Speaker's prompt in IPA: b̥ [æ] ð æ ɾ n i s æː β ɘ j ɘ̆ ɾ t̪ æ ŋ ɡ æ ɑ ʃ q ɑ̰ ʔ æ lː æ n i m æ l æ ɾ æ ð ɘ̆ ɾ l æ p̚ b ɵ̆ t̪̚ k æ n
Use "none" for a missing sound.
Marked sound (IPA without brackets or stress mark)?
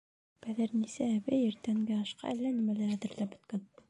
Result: æ